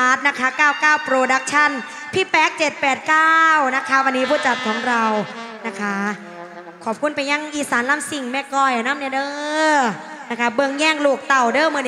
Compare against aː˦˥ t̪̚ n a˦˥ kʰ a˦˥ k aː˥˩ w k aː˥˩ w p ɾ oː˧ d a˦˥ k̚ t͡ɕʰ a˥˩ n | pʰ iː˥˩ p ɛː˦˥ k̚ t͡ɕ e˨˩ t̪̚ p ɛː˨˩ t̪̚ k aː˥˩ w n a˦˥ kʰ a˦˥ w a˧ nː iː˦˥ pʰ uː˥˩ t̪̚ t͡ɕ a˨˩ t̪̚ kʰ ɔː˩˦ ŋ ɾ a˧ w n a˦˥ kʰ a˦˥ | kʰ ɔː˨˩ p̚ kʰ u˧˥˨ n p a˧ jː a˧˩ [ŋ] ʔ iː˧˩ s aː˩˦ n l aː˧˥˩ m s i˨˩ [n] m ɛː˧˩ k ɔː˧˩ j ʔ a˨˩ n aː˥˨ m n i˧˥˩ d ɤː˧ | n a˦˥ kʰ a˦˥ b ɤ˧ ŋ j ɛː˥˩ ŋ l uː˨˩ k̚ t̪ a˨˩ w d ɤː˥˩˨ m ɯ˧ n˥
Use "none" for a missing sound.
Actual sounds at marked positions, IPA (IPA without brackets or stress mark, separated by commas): ŋ, ŋ